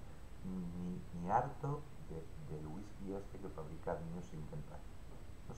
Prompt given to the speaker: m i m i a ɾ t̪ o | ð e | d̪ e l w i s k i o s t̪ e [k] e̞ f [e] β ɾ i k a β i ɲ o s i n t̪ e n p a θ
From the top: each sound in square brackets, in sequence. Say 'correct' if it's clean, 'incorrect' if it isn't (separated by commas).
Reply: correct, incorrect